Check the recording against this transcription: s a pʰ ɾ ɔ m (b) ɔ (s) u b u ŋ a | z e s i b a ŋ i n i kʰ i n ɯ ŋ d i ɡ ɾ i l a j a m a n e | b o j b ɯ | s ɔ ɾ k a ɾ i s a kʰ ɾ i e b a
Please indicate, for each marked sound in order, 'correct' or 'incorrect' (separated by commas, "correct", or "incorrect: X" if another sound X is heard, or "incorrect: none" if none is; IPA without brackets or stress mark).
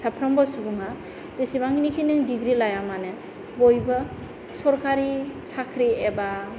correct, correct